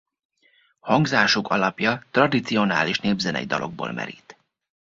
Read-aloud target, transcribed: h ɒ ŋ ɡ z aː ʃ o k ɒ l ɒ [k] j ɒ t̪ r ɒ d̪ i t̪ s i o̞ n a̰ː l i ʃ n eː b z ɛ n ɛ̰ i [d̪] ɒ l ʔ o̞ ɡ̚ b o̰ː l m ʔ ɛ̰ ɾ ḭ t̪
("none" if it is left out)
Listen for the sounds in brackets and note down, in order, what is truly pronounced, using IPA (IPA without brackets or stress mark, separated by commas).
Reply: p, d̪